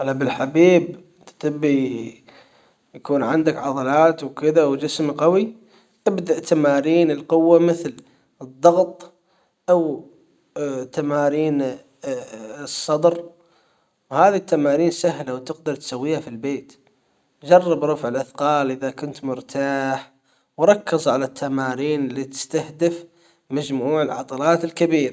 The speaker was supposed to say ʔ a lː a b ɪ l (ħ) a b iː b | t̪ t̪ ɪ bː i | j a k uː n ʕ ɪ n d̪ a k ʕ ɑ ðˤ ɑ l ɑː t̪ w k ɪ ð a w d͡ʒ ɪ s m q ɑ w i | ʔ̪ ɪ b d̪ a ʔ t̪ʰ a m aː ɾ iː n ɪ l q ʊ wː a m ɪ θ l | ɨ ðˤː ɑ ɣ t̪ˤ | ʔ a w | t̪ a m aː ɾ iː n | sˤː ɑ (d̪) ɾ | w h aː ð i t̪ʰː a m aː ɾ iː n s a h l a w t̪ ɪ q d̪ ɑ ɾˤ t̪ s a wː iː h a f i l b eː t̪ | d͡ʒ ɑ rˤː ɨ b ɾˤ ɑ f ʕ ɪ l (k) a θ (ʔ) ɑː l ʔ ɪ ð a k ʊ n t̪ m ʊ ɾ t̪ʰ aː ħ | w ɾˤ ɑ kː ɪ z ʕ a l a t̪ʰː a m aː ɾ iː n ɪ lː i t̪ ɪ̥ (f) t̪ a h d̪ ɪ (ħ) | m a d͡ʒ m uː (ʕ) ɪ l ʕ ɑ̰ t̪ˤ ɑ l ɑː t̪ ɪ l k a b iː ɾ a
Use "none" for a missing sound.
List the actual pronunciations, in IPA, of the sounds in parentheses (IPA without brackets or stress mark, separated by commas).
ħ, d̪, ʔ, q, s, f, ʕ